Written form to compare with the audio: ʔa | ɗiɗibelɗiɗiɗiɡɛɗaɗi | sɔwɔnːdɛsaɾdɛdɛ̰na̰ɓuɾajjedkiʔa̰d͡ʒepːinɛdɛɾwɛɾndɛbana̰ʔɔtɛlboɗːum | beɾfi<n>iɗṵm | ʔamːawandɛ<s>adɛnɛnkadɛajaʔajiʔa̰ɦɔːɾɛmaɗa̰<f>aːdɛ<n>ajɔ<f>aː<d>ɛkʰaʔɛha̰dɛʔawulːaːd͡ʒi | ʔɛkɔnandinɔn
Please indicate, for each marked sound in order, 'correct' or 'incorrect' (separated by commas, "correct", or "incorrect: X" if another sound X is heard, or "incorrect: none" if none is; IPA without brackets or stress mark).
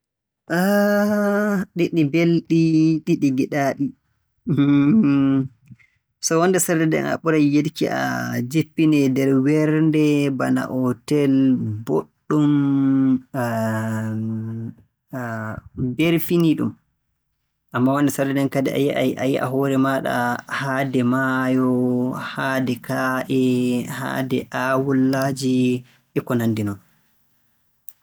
correct, correct, incorrect: h, incorrect: m, incorrect: h, correct